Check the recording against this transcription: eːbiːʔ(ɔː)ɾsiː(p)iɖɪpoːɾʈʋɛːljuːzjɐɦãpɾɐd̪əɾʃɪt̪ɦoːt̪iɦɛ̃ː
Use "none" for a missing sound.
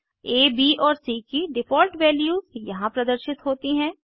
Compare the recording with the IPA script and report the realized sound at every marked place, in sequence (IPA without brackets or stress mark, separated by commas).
ɔː, k